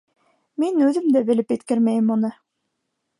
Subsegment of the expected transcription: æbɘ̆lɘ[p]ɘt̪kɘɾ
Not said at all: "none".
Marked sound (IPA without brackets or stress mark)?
p